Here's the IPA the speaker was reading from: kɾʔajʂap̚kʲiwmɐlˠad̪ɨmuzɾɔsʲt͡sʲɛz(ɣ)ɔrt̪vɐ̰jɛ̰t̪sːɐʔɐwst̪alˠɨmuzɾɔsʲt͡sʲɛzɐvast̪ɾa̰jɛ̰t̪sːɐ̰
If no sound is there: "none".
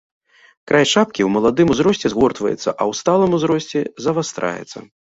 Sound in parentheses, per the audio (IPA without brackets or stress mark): ɣ